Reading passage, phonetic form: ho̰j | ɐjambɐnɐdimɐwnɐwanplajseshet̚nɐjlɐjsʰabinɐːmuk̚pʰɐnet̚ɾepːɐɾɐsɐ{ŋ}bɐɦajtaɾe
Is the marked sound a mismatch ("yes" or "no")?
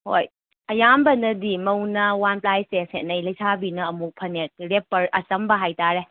yes